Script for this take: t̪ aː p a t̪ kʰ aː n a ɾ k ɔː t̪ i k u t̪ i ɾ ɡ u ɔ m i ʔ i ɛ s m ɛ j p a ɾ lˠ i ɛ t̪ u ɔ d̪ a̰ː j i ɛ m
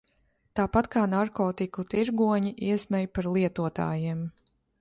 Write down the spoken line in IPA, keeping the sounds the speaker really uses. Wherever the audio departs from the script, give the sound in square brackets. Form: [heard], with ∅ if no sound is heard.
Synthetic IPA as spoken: t̪ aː p a t̪ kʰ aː n a ɾ k ɔː t̪ i k u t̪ i ɾ ɡ u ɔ [ɲ] i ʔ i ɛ s m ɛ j p a ɾ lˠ i ɛ t̪ u ɔ [t̪] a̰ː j i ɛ m